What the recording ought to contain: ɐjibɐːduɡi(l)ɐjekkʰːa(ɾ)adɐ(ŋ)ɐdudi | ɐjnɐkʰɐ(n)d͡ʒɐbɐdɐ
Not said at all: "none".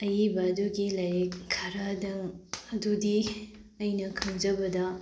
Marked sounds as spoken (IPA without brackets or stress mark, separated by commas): l, ɾ, ŋ, ŋ